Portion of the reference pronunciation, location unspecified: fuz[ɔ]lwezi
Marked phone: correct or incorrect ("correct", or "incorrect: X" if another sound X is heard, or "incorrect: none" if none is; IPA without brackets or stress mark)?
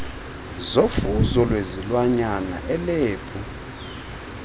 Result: correct